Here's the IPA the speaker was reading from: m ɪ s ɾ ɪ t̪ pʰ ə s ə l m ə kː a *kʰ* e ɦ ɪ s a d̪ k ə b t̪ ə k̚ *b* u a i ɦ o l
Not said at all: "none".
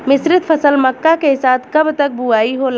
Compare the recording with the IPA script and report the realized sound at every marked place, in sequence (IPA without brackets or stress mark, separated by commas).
k, b